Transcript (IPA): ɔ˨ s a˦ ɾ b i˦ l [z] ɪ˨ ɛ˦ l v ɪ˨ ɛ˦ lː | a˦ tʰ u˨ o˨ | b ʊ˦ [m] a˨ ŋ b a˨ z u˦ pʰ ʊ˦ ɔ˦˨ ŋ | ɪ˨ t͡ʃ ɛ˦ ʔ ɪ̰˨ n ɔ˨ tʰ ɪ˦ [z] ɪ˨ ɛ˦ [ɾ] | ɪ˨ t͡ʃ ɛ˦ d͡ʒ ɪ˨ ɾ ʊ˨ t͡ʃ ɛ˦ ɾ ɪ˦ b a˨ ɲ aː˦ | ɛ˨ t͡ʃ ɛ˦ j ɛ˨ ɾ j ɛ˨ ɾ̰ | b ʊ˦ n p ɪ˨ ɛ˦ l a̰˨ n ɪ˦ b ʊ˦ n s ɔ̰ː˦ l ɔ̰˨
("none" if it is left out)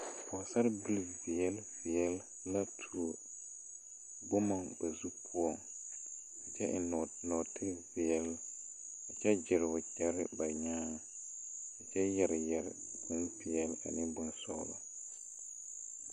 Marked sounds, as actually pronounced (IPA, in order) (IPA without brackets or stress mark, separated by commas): v, m, v, l